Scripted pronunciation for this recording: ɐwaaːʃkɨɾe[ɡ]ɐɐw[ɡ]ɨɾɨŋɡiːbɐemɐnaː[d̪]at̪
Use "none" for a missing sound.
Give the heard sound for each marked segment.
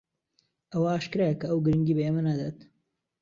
k, ɡ, d̪

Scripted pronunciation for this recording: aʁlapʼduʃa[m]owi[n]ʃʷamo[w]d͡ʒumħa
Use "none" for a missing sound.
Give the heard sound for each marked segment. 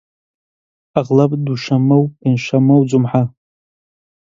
m, n, w

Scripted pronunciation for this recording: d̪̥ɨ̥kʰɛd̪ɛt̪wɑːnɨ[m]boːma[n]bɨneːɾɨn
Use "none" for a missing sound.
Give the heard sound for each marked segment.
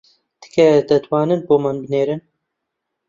n, n

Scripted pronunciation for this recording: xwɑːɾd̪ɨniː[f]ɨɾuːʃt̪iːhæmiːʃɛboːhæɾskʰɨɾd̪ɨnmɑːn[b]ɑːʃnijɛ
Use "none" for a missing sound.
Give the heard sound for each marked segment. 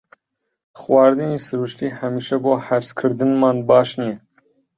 s, b

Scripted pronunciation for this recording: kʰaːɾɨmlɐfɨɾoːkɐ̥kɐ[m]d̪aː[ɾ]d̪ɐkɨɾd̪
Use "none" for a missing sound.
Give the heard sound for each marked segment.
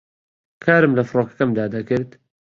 m, none

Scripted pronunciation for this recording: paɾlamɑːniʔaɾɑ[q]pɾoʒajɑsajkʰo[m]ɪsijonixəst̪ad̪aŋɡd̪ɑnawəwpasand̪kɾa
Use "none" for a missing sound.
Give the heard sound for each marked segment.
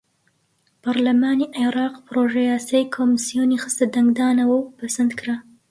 q, m

